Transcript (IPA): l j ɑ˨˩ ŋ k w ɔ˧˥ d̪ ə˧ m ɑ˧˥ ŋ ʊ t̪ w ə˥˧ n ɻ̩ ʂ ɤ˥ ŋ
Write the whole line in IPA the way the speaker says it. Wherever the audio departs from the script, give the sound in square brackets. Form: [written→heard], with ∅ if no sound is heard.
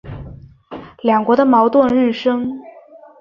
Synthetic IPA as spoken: l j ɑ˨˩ ŋ k w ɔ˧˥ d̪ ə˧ m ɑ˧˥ [ŋ→∅] ʊ t̪ w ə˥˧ n ɻ̩ ʂ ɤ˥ ŋ